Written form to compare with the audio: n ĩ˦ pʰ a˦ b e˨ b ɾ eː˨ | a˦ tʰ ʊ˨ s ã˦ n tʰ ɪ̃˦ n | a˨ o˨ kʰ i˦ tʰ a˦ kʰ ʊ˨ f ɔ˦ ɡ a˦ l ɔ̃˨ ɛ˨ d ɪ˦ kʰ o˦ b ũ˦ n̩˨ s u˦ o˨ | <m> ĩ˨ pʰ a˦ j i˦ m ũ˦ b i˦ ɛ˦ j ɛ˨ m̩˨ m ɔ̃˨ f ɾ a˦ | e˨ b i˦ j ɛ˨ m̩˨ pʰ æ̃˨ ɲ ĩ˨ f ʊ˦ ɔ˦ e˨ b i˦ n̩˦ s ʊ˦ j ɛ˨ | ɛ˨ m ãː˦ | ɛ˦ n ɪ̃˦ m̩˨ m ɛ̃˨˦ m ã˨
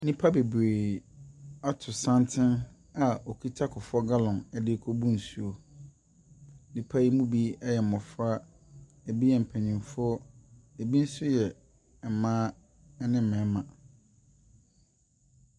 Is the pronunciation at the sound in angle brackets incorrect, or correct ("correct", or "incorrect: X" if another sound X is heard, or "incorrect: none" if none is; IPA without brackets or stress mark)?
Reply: incorrect: n